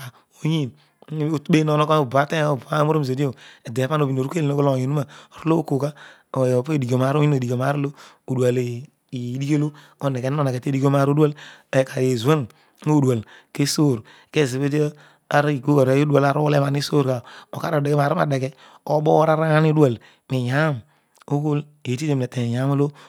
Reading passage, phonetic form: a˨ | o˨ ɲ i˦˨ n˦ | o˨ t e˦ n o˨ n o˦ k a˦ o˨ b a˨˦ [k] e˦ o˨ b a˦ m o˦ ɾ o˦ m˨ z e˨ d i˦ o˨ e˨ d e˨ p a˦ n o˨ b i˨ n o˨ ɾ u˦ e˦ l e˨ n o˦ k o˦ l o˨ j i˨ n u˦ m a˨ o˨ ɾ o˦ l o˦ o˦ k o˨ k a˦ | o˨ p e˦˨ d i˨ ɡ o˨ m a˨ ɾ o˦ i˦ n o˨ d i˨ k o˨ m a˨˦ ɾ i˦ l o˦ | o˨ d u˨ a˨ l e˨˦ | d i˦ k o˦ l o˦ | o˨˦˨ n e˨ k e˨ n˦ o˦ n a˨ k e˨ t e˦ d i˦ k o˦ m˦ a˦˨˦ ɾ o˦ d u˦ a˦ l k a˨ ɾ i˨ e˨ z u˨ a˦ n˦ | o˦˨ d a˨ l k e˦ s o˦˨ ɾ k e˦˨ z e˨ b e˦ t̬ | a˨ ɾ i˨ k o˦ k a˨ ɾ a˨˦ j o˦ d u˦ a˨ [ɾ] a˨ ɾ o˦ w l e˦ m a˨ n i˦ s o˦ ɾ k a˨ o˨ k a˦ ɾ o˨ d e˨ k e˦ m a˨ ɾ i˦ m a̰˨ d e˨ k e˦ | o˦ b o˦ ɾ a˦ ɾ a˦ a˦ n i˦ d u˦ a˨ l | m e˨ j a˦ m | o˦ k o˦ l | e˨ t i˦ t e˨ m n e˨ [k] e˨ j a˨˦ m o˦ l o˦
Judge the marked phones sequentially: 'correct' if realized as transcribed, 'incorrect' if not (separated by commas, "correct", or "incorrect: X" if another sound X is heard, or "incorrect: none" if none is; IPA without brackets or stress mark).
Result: incorrect: t, incorrect: l, incorrect: t